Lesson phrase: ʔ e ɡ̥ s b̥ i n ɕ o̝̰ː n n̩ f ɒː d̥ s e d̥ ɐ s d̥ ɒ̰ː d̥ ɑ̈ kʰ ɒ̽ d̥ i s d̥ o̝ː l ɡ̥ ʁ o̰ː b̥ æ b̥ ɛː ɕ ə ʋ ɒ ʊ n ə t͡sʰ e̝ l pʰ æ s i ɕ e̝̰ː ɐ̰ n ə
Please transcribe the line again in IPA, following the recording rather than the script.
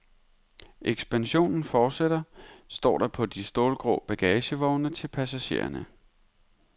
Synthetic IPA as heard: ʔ e ɡ̥ s b̥ æ n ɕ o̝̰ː n n̩ f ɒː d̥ s e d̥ ɐ s d̥ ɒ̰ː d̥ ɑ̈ pʰ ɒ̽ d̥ i s d̥ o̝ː l ɡ̥ ʁ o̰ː b̥ æ ɡ̥ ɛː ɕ ə ʋ ɒ ʊ n ə t͡sʰ e̝ l pʰ æ s æ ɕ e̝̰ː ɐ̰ n ə